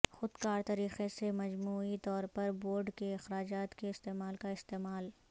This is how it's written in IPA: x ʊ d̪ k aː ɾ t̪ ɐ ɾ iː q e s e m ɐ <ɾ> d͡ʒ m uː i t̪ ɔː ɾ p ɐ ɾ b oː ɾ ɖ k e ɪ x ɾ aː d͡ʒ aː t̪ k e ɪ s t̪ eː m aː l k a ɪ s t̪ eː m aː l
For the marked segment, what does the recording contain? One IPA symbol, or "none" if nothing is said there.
none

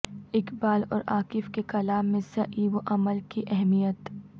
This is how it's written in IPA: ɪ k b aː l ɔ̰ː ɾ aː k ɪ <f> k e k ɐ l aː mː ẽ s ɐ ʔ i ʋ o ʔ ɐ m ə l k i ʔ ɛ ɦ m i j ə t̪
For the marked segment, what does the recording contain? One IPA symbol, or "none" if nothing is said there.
f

